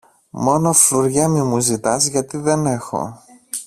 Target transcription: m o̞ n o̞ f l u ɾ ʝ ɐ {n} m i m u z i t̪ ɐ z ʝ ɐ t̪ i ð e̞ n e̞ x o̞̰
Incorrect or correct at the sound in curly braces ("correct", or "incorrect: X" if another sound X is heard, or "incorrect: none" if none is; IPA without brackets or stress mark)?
incorrect: none